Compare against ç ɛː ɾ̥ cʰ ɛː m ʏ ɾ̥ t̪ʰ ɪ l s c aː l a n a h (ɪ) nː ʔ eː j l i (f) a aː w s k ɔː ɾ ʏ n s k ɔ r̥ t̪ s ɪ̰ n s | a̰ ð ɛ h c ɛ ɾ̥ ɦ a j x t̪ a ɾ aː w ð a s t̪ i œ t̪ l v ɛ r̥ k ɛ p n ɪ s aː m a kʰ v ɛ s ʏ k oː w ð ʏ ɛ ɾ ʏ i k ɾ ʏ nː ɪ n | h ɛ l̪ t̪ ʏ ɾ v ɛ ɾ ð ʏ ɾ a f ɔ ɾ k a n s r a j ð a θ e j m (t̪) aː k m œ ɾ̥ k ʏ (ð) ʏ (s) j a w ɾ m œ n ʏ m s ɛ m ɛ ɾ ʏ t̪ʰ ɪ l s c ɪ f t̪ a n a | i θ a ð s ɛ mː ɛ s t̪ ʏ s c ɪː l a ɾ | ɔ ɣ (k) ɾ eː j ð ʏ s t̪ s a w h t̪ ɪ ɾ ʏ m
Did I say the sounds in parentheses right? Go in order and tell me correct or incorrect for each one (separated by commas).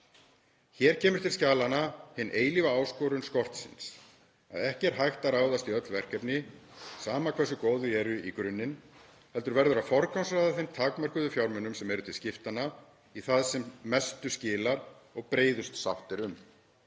correct, incorrect, incorrect, correct, incorrect, incorrect